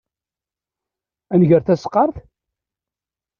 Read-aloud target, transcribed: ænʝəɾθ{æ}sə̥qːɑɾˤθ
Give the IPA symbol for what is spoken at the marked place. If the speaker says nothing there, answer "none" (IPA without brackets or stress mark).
æ